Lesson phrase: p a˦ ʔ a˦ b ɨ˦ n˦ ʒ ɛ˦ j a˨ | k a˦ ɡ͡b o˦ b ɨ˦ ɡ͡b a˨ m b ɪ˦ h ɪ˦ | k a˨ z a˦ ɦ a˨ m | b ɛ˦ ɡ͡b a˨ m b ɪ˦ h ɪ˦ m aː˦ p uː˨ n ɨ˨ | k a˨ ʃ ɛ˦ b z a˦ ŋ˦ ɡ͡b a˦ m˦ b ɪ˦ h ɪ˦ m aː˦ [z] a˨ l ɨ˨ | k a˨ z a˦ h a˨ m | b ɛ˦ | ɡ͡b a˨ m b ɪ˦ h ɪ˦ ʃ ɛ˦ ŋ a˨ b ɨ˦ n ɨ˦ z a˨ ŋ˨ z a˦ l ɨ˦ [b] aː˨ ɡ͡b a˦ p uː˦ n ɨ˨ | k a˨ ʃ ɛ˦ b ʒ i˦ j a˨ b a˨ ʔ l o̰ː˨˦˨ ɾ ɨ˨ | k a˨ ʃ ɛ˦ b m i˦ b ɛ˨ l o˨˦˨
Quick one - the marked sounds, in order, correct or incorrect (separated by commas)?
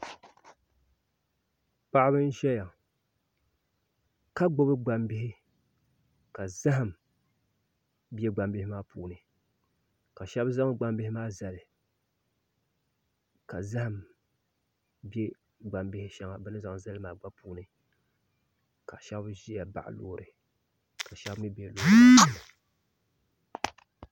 correct, incorrect